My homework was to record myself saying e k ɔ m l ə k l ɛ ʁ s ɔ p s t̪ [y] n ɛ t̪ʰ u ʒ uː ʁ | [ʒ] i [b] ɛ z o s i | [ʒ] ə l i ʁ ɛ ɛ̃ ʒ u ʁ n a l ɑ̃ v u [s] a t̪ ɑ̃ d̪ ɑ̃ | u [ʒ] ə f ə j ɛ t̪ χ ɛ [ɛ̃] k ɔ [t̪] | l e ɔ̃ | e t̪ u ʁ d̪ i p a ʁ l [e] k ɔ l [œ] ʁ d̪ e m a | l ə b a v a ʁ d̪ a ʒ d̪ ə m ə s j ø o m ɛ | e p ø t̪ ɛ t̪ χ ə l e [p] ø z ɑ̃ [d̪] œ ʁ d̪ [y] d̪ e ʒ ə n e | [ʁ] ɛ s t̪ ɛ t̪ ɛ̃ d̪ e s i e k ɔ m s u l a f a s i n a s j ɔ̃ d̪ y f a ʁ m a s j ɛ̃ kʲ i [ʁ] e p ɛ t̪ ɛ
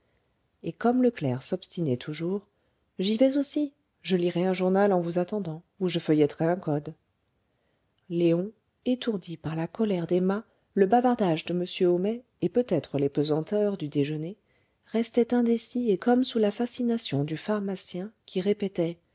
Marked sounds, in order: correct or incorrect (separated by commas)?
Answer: incorrect, correct, incorrect, correct, incorrect, correct, correct, incorrect, incorrect, incorrect, correct, incorrect, correct, correct, correct